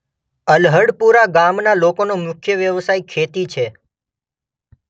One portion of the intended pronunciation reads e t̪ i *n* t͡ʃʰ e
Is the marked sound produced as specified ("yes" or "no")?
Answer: no